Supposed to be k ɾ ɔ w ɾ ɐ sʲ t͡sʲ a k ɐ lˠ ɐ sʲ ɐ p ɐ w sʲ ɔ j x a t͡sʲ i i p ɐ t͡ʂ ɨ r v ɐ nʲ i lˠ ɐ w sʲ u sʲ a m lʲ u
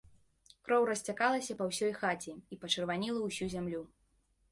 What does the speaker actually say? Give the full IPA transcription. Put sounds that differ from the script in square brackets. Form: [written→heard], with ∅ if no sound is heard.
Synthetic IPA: k ɾ ɔ w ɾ ɐ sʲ t͡sʲ a k [ɐ→a] lˠ ɐ sʲ ɐ p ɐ w sʲ ɔ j x a t͡sʲ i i p ɐ t͡ʂ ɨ r v [ɐ→a] nʲ i lˠ ɐ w sʲ u [sʲ→zʲ] a m lʲ u